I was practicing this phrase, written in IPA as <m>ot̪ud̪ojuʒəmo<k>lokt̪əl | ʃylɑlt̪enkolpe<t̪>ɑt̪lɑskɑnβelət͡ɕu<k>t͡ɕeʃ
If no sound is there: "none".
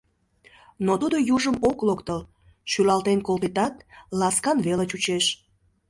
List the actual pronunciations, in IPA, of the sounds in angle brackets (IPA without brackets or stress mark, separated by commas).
n, k, t̪, none